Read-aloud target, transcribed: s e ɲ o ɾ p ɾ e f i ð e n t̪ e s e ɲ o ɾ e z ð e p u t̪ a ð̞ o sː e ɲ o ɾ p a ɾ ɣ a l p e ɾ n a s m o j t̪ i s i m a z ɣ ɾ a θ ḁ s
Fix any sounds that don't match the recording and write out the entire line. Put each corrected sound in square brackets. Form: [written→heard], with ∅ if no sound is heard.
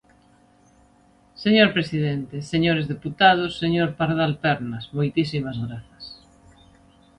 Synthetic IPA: s e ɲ o ɾ p ɾ e [f→s] i ð e n t̪ e s e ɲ o ɾ e z ð e p u t̪ a ð̞ o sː e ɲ o ɾ p a ɾ [ɣ→ð] a l p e ɾ n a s m o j t̪ i s i m a z ɣ ɾ a θ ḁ s